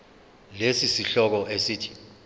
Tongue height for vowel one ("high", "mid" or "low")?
mid